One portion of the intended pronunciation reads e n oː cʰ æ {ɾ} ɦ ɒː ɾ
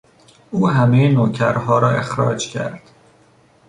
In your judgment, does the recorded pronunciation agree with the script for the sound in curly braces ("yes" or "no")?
yes